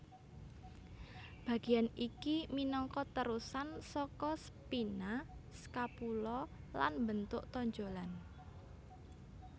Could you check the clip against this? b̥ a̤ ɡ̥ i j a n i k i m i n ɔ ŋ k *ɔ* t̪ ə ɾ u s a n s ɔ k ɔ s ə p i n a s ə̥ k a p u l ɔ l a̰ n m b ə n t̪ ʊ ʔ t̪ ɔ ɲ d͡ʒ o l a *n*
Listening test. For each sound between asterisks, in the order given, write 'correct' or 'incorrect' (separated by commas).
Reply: correct, correct